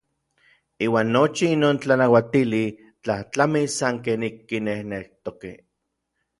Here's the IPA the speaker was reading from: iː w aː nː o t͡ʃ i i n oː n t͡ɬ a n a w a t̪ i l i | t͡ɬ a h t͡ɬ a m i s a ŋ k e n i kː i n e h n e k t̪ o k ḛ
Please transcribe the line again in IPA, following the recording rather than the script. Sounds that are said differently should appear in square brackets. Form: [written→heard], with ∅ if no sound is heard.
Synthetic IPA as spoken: iː w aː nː o t͡ʃ i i n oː n t͡ɬ a n a w a t̪ i l i | t͡ɬ a h t͡ɬ a m i s a ŋ k e n i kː i n e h n e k t̪ o k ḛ